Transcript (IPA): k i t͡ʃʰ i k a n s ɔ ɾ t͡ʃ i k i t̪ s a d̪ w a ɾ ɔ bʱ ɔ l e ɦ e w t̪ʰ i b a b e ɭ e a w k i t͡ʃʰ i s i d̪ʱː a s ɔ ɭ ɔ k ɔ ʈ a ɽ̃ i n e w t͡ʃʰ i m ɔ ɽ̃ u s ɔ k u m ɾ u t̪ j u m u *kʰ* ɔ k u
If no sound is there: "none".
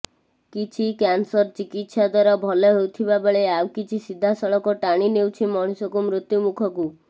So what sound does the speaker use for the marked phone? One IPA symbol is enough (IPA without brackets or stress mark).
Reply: kʰ